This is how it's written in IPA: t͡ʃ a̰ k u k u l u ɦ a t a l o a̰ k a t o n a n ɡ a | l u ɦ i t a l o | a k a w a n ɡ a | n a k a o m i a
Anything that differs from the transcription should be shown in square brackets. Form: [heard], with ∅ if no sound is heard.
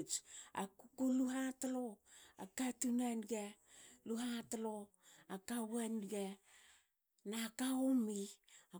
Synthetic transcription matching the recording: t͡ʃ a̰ k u k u l u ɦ a t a l o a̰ k a t [u] n a n ɡ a | l u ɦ [a] t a l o | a k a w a n ɡ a | n a k a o m i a